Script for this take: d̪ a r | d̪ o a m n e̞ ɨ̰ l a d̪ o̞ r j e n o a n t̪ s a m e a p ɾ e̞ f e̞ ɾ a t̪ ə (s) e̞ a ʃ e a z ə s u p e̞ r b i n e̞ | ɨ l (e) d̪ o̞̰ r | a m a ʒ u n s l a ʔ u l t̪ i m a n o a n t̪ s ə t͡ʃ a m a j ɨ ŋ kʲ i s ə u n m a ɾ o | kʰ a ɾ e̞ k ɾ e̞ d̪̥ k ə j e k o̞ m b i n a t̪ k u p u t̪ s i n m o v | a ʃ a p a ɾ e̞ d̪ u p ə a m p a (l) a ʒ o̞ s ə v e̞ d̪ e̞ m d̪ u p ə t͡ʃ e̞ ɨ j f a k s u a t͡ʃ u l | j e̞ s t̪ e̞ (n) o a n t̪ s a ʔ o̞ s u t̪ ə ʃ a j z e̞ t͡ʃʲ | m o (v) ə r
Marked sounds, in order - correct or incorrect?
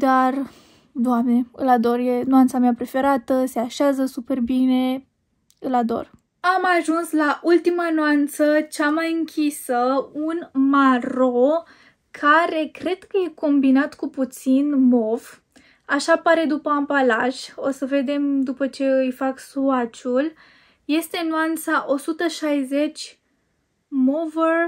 correct, incorrect: a, correct, correct, correct

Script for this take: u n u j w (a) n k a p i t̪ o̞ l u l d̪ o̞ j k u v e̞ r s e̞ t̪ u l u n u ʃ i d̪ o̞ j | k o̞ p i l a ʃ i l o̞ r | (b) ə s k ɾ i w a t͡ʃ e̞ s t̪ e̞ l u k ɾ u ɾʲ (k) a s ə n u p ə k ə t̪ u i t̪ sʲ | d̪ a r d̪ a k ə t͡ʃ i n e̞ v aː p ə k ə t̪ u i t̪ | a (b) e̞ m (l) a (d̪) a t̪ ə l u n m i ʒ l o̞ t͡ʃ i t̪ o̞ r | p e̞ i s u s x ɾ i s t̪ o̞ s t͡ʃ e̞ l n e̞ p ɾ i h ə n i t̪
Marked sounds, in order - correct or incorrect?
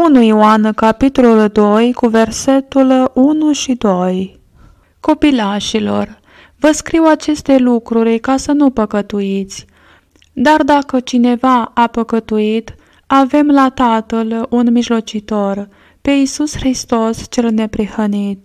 correct, incorrect: v, correct, incorrect: v, correct, incorrect: t̪

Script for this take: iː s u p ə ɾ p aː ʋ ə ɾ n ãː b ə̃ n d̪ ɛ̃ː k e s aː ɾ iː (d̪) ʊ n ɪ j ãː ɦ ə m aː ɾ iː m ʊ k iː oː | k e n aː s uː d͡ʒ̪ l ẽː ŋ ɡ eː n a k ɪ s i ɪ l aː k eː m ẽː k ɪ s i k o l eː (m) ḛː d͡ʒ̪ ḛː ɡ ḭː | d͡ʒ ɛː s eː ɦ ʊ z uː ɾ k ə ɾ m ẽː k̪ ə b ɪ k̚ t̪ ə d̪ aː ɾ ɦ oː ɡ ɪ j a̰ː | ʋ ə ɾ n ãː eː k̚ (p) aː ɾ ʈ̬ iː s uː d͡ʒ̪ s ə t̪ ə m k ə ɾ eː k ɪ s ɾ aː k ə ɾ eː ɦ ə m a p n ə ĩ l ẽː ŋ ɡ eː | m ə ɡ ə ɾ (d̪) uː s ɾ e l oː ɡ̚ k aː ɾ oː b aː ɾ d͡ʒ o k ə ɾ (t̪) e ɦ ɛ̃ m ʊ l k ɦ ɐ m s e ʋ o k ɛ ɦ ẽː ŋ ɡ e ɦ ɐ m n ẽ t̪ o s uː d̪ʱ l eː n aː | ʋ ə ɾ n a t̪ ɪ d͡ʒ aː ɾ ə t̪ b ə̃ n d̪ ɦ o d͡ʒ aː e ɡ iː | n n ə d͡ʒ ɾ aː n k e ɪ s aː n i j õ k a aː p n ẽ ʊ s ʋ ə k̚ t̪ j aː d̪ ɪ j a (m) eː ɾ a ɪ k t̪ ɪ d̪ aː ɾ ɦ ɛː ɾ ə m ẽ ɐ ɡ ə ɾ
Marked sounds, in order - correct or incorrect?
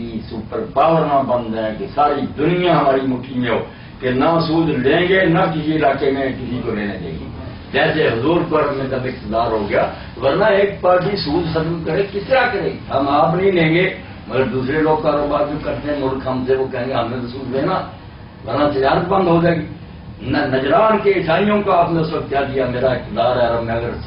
correct, incorrect: n, correct, correct, correct, correct

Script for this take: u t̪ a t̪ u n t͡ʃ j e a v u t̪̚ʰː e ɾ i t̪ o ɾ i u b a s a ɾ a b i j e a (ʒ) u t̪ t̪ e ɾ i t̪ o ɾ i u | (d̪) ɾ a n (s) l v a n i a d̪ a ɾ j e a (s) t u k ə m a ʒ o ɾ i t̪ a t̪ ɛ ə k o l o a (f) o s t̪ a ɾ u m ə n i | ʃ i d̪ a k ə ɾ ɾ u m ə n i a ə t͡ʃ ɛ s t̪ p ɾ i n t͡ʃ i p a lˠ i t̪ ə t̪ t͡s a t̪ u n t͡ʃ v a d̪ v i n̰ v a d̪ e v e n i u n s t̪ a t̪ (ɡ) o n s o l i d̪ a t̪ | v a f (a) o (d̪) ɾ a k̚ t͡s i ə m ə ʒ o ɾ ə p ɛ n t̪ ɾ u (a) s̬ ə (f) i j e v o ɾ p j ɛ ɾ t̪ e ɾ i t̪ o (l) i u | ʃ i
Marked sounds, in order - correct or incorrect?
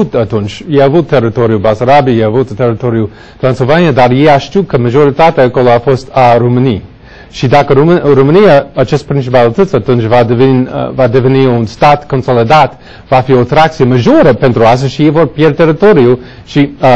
incorrect: v, incorrect: t̪, correct, incorrect: ʃ, correct, incorrect: k, incorrect: i, incorrect: t̪, correct, incorrect: ʃ, incorrect: ɾ

